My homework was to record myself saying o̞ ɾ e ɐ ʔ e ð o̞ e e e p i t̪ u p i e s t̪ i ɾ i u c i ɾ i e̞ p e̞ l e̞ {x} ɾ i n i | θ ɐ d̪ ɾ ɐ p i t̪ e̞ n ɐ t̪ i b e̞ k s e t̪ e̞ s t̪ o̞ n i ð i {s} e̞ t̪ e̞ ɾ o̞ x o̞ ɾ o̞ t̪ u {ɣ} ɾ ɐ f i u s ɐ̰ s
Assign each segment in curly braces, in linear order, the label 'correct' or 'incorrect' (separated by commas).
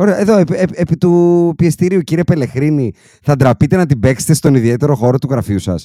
correct, incorrect, correct